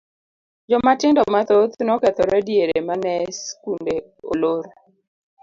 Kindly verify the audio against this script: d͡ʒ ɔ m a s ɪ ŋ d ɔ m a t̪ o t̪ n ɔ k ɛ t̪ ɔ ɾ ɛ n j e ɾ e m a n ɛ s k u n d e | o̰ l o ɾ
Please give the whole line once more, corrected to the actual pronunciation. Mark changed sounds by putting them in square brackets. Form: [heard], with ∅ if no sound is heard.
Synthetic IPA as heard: d͡ʒ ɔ m a [t] ɪ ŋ d ɔ m a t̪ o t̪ n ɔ k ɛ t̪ ɔ ɾ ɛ [d] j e ɾ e m a n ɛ s k u n d e | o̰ l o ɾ